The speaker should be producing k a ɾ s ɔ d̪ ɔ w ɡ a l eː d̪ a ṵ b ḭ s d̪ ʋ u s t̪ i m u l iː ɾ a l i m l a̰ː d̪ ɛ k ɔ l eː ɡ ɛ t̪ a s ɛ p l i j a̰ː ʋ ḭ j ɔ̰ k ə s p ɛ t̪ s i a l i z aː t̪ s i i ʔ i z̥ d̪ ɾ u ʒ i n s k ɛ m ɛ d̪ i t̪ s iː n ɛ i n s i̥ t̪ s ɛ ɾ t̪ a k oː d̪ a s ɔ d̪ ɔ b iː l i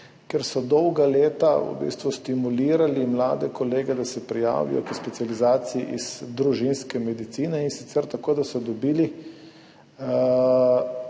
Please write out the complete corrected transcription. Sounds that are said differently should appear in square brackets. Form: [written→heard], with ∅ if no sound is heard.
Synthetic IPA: k [a→ɛ] ɾ s ɔ d̪ ɔ w ɡ a l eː [d̪→t̪] a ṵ b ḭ s [d̪→t̪] ʋ u s t̪ i m u l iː ɾ a l i m l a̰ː d̪ ɛ k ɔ l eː ɡ ɛ [t̪→d̪] a s ɛ p [l→ɾ] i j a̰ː ʋ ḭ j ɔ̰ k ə s p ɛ t̪ s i a l i z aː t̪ s i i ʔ i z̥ d̪ ɾ u ʒ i n s k ɛ m ɛ d̪ i t̪ s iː n ɛ i n s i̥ t̪ s ɛ ɾ t̪ a k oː d̪ a s ɔ d̪ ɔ b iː l i